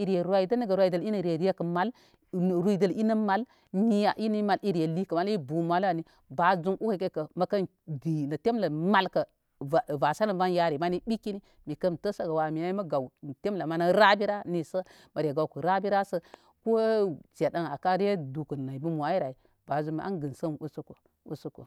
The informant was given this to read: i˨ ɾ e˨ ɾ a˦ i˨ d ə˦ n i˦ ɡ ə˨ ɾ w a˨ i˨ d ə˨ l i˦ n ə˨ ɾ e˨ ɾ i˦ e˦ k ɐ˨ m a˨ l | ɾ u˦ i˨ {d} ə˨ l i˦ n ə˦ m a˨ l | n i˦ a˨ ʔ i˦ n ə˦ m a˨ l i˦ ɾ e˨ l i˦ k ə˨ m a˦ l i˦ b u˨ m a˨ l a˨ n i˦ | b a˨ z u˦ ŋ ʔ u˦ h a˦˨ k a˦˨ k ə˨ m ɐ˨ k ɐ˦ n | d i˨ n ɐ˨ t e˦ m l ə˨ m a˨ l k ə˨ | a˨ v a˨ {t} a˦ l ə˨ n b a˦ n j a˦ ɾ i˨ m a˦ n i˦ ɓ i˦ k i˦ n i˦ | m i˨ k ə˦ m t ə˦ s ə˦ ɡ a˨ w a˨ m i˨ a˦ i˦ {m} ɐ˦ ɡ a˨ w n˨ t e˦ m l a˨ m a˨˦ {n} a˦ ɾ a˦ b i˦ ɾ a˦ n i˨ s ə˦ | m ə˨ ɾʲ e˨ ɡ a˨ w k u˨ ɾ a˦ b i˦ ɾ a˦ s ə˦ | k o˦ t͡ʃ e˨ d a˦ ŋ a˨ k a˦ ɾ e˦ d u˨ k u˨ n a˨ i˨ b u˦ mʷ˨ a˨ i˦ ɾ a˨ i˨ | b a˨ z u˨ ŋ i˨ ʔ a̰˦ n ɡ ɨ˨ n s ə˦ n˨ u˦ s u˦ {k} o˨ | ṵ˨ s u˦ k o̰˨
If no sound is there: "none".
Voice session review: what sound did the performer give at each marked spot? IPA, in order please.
d, s, m, n, k

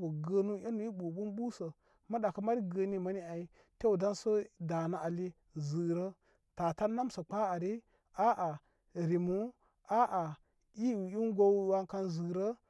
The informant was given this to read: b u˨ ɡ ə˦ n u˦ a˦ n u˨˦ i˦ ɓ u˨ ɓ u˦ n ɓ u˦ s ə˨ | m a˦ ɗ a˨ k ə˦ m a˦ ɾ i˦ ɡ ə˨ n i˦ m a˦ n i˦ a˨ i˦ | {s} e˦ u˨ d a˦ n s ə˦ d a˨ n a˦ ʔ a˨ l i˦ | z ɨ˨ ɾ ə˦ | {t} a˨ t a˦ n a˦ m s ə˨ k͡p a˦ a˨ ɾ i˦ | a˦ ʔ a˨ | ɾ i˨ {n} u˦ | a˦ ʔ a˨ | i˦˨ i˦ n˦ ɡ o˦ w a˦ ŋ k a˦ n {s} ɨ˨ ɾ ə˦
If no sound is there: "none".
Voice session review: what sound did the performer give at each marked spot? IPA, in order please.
t, t, m, z

